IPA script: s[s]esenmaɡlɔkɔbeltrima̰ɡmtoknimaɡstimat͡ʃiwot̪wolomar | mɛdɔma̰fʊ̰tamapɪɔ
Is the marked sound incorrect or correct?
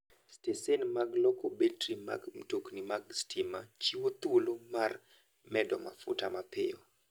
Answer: incorrect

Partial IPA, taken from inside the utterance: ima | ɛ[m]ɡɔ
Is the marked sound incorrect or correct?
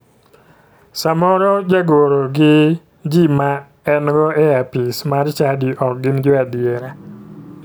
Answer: incorrect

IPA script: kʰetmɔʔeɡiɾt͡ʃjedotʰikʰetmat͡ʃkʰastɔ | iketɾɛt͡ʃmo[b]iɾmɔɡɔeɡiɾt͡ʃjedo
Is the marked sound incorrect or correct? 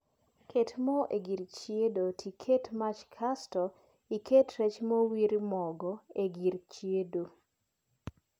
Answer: incorrect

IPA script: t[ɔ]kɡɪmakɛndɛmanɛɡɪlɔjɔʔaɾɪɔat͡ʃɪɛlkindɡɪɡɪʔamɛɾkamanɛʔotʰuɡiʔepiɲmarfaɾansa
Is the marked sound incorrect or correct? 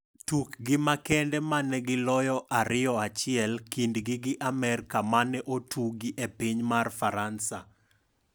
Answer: incorrect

